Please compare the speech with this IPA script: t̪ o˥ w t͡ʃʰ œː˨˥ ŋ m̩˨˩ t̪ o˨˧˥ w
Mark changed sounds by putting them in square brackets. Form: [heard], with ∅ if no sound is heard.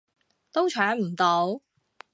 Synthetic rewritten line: t̪ o˥ w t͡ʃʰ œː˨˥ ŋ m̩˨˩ t̪ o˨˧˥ w